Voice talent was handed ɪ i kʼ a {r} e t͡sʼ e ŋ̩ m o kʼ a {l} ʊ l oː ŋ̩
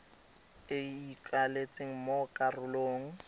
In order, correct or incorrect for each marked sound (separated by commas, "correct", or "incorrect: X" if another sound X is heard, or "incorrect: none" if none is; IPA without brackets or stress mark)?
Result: incorrect: l, incorrect: r